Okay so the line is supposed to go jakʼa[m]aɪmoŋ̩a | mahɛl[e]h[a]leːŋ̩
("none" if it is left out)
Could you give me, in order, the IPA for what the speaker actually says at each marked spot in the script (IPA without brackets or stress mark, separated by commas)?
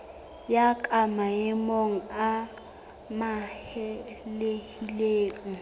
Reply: m, e, i